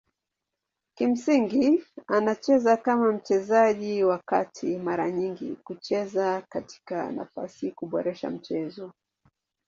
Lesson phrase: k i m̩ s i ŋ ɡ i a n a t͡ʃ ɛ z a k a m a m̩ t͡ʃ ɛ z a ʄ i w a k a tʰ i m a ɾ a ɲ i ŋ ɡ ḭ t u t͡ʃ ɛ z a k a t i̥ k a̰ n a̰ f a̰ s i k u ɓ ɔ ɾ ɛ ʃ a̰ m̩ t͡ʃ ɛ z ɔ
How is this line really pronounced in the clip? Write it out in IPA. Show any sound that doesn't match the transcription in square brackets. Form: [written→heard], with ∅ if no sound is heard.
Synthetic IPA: k i m̩ s i ŋ ɡ i a n a t͡ʃ ɛ z a k a m a m̩ t͡ʃ ɛ z a ʄ i w a k a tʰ i m a ɾ a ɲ i ŋ ɡ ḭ [t→k] u t͡ʃ ɛ z a k a t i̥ k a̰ n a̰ f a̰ s i k u ɓ ɔ ɾ ɛ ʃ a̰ m̩ t͡ʃ ɛ z ɔ